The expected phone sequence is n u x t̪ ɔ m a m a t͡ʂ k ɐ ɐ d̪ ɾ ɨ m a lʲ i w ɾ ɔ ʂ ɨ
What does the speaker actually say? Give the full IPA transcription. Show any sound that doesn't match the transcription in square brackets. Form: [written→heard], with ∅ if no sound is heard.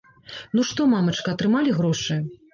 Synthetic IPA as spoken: n u [x→ʂ] t̪ ɔ m a m [a→ɐ] t͡ʂ k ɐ ɐ [d̪→t̪] ɾ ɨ m a lʲ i [w→ɣ] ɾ ɔ ʂ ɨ